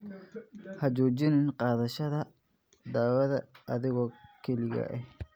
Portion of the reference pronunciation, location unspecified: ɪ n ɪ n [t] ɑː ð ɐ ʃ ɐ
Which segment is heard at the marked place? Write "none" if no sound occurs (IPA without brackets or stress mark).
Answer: q